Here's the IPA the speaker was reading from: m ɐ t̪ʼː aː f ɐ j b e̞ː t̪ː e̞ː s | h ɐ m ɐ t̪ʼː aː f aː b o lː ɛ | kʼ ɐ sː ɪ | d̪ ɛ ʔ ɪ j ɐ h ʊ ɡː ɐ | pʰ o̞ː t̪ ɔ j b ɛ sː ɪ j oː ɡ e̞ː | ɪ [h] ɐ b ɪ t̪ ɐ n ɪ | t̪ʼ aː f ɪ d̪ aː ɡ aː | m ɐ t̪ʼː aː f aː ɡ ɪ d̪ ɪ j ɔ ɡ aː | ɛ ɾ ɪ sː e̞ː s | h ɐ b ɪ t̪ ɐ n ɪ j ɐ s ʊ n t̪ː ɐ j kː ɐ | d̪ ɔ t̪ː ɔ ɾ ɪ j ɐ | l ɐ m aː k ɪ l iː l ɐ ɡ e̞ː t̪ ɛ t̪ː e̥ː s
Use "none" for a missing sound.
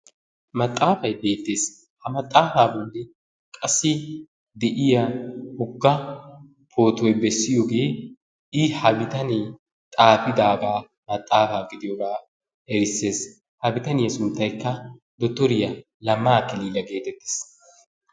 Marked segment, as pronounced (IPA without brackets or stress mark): h